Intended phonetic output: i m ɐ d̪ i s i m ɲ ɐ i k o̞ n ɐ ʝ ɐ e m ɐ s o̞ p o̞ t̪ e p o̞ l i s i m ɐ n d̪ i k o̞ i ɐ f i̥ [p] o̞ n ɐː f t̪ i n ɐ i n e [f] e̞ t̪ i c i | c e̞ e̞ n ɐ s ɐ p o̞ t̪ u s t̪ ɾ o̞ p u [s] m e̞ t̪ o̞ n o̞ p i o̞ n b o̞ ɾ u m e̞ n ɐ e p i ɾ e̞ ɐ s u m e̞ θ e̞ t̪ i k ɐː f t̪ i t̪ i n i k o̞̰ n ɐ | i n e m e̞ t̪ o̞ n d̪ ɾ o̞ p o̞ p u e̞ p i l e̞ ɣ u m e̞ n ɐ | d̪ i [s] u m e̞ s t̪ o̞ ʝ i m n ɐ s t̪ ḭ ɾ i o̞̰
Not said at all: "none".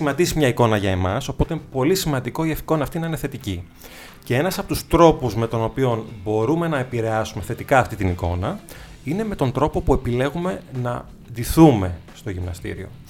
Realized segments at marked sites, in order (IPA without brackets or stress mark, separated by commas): k, θ, z, θ